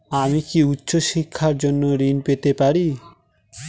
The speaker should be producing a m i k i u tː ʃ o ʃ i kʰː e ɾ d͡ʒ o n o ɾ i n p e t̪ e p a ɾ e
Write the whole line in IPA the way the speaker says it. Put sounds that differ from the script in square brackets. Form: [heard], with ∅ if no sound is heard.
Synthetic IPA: a m i k i u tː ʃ o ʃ i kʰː [a] ɾ d͡ʒ o [nː] o ɾ i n p e t̪ e p a ɾ [i]